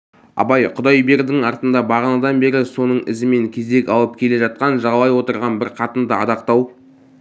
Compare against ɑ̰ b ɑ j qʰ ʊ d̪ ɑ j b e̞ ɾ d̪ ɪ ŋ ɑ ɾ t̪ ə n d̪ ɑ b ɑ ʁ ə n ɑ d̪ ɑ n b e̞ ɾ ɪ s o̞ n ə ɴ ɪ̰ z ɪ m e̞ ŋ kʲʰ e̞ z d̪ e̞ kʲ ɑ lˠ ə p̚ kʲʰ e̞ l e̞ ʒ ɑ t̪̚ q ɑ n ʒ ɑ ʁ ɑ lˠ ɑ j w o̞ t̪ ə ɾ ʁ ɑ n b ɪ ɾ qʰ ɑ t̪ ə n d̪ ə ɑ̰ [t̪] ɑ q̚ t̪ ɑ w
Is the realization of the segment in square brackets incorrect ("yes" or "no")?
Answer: yes